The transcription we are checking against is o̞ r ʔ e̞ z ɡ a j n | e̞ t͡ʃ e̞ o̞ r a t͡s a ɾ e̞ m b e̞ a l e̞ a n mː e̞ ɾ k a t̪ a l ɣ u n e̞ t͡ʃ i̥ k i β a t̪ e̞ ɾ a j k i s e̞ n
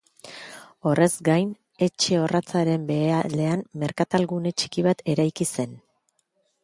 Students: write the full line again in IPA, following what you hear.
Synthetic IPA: o̞ r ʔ e̞ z ɡ a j n | e̞ t͡ʃ e̞ o̞ r a t͡s a ɾ e̞ m b e̞ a l e̞ a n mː e̞ ɾ k a t̪ a l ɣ u n e̞ t͡ʃ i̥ k i β a t̪ e̞ ɾ a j k i s e̞ n